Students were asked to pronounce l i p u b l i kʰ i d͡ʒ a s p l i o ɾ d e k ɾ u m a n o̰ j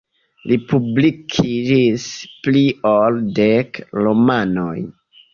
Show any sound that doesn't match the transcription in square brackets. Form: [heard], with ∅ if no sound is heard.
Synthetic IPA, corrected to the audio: l i p u b l i kʰ i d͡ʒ [i] s p l i o [l] d e k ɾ [o] m a n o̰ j